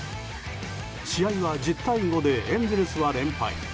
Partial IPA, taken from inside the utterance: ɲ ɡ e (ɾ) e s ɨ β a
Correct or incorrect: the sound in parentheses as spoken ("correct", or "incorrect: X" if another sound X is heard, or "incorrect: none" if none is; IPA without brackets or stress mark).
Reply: correct